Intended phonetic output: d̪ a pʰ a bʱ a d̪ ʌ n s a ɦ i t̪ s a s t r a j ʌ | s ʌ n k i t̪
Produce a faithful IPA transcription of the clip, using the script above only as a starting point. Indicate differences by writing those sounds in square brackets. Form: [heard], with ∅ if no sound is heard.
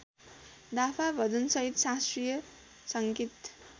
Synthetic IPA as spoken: d̪ a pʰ a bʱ [ʌ] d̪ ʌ n s [ʌ] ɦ i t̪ s a s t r [i] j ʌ | s ʌ [ŋ] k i t̪

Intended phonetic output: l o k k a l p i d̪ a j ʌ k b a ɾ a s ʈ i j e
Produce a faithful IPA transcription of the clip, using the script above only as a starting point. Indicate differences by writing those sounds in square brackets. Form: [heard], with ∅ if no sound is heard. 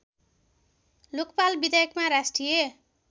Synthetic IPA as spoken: l o k [p] a l [b] i d̪ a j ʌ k [m] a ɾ a s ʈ i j e

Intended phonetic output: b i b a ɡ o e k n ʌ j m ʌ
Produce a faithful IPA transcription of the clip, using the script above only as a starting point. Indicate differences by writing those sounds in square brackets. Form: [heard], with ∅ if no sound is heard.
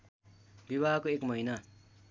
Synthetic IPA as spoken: b i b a [k] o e k [m] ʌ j [n] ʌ

